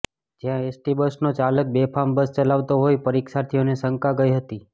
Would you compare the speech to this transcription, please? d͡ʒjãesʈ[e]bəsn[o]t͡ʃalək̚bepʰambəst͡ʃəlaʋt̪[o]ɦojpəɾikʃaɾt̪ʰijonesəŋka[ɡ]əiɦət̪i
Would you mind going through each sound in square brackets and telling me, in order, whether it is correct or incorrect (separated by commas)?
incorrect, correct, correct, correct